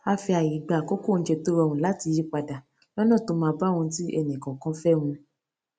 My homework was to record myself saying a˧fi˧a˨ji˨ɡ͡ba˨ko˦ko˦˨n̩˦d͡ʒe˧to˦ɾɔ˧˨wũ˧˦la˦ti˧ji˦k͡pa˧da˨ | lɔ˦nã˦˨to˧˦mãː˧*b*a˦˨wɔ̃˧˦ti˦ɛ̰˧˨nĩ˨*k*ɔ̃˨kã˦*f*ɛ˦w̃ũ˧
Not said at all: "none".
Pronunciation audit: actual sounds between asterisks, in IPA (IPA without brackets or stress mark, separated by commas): b, k, f